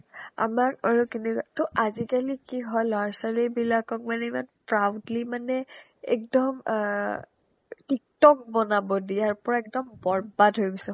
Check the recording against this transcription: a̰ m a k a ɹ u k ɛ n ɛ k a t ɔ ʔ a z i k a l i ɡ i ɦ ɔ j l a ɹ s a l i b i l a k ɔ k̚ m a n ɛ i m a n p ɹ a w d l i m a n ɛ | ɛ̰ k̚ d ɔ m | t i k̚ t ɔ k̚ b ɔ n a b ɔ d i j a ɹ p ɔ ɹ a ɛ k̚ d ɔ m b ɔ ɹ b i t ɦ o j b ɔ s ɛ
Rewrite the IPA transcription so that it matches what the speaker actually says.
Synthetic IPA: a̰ m a k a ɹ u k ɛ n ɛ k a t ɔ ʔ a z i k a l i k i ɦ ɔ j l a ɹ s a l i b i l a k ɔ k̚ m a n ɛ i m a n p ɹ a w d l i m a n ɛ | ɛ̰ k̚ d ɔ m | t i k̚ t ɔ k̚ b ɔ n a b ɔ d i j a ɹ p ɔ ɹ a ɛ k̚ d ɔ m b ɔ ɹ b a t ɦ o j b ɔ s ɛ